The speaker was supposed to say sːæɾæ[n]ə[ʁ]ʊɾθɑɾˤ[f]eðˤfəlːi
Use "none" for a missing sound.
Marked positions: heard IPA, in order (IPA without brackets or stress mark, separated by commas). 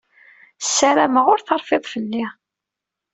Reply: m, ʁ, f